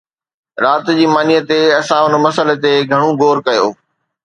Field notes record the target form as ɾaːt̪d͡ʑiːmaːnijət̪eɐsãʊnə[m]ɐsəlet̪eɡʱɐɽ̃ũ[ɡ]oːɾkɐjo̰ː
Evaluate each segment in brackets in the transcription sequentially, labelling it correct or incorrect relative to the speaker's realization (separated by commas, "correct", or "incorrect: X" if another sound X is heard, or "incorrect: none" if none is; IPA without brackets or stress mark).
correct, correct